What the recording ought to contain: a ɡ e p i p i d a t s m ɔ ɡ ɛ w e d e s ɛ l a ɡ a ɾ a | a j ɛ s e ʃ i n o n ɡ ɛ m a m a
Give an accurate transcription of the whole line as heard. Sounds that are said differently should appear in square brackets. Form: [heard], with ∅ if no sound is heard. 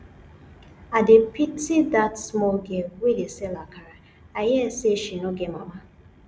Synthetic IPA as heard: a [d] e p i [t] i d a t s m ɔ ɡ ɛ w e d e s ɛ l a [k] a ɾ a | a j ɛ s e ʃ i n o [∅] ɡ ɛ m a m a